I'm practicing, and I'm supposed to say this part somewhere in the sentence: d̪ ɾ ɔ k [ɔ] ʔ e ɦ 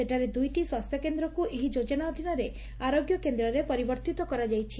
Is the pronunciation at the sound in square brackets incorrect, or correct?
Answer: incorrect